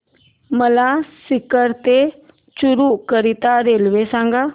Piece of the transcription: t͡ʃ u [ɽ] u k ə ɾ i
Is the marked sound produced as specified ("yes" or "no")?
no